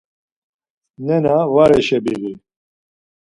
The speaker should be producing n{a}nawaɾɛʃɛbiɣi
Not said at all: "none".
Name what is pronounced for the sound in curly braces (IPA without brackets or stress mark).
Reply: ɛ